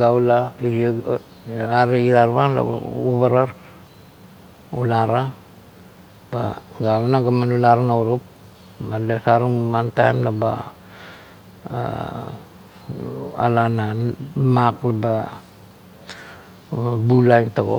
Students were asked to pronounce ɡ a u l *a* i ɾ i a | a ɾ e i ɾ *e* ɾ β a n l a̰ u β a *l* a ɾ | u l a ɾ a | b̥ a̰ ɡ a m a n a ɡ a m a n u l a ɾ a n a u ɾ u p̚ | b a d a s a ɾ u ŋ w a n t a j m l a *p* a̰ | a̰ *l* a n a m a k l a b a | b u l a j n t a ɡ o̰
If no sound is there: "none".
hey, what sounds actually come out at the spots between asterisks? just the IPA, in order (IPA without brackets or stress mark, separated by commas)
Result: a, a, ɾ, b, l